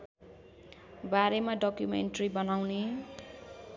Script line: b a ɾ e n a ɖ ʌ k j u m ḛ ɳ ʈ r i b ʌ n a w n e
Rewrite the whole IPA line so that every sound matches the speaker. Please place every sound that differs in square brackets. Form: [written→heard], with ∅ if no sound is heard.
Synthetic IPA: b a ɾ e [n→m] a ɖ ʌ k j u m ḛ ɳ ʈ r i b ʌ n a w n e